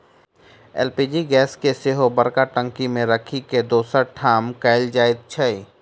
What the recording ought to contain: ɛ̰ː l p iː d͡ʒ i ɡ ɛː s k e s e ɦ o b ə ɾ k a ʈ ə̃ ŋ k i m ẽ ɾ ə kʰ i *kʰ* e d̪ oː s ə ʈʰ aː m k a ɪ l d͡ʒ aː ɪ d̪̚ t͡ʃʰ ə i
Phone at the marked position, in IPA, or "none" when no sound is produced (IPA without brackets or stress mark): k